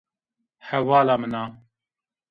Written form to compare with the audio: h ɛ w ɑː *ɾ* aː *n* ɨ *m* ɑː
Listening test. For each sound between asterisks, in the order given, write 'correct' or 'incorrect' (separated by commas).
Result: incorrect, incorrect, incorrect